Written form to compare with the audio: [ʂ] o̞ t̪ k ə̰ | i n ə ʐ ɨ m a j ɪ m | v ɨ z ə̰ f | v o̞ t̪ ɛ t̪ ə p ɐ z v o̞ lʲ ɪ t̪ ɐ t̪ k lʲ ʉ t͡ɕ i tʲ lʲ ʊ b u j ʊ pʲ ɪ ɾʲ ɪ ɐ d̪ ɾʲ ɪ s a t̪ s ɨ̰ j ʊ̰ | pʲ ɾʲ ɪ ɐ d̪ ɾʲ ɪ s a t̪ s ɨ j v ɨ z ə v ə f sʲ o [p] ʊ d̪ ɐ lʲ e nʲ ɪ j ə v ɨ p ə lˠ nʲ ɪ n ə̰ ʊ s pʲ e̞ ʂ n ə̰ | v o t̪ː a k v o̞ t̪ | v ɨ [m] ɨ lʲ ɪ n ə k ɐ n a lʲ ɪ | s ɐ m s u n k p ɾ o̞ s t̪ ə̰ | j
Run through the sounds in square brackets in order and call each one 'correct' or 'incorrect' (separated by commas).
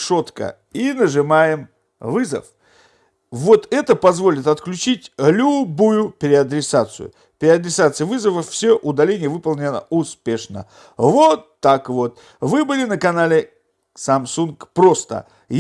correct, incorrect, incorrect